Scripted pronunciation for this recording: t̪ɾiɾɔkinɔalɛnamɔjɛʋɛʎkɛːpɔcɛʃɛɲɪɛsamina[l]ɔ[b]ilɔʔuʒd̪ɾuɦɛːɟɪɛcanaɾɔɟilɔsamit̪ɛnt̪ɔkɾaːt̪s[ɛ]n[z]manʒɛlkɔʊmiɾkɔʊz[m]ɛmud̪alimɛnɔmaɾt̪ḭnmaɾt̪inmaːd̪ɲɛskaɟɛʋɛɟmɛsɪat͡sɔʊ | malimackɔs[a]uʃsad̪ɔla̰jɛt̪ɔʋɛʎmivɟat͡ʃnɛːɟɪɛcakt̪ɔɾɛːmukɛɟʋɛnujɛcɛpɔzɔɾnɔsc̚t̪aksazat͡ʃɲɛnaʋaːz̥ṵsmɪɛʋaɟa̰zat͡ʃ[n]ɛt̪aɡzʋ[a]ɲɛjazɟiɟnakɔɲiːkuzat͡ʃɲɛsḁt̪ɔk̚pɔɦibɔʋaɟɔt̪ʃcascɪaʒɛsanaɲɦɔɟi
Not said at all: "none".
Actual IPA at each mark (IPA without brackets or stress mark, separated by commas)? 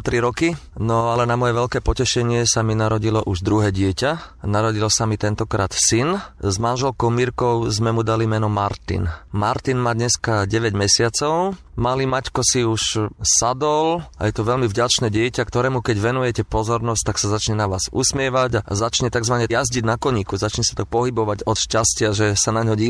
ɾ, ɟ, i, z, m, i, ɲ, a